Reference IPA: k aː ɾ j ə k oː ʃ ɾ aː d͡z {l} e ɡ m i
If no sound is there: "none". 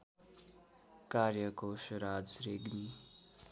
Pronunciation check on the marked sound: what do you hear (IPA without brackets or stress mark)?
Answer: ɾ